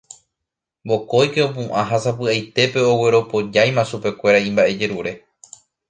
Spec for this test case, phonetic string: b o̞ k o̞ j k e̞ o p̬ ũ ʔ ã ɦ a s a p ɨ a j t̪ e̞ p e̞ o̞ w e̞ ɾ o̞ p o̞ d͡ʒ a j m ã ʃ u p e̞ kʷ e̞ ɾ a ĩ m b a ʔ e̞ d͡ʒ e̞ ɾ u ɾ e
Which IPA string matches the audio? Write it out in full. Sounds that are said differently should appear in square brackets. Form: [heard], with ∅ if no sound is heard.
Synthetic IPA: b o̞ k o̞ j k e̞ o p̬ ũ ʔ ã ɦ a s a p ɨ a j t̪ e̞ p e̞ o̞ w e̞ ɾ o̞ p o̞ d͡ʒ a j m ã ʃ u p e̞ kʷ e̞ ɾ a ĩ m b a ʔ e̞ d͡ʒ e̞ ɾ u ɾ e

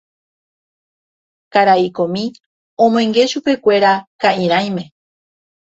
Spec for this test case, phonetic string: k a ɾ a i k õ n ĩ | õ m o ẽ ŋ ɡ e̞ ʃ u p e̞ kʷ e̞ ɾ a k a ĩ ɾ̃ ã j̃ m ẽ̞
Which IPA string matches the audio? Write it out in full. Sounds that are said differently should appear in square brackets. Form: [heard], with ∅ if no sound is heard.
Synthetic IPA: k a ɾ a i k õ [m] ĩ | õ m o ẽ ŋ ɡ e̞ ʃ u p e̞ kʷ e̞ ɾ a k a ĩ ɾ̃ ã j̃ m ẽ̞

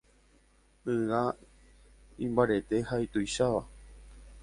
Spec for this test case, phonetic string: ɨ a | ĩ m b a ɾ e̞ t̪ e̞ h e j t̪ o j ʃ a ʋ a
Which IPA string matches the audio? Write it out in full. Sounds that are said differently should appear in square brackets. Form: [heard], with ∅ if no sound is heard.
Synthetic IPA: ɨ a | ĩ m b a ɾ e̞ t̪ e̞ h [a] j t̪ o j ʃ a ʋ a

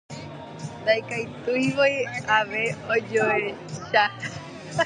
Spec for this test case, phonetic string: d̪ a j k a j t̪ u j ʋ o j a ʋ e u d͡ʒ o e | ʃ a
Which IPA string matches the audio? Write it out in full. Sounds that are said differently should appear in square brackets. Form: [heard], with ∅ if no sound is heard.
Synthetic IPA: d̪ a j k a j t̪ u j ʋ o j a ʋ e [o] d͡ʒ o e | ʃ a

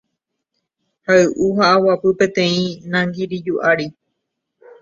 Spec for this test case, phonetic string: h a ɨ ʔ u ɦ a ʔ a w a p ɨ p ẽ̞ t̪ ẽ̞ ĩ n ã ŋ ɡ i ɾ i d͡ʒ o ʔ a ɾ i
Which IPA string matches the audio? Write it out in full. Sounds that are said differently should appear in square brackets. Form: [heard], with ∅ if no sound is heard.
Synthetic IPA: h a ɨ ʔ u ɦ a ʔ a w a p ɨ p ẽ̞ t̪ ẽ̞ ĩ n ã ŋ ɡ i ɾ i d͡ʒ [u] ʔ a ɾ i

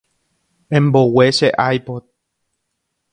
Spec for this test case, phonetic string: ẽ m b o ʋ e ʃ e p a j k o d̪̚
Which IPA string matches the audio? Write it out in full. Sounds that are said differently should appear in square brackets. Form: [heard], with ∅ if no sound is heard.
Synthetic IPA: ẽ m b o [w] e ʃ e [ʔ] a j [p] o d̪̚

